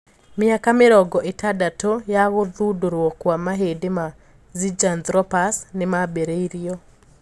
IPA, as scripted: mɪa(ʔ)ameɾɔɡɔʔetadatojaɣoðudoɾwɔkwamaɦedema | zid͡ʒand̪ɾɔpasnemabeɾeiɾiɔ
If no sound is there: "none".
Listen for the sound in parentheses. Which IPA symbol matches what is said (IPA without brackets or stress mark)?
k